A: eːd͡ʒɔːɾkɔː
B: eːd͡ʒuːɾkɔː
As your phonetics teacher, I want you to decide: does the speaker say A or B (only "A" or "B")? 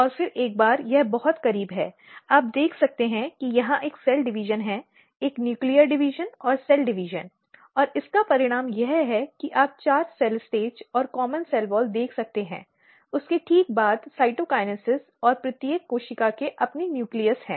A